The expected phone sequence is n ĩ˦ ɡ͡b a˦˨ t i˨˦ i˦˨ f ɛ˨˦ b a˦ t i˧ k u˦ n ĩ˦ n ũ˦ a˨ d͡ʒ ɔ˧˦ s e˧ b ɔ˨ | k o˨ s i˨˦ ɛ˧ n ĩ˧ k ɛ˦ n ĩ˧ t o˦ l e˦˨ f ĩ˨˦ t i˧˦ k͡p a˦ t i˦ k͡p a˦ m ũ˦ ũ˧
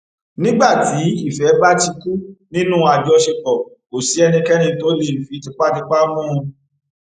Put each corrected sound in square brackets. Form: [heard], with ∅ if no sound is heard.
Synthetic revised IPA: n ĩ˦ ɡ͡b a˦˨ t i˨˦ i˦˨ f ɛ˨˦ b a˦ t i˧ k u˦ n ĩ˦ n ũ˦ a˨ d͡ʒ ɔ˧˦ [ʃ] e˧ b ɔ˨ | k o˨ s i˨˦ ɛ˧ n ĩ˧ k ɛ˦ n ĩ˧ t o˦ l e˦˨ f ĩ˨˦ t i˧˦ k͡p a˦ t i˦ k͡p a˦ m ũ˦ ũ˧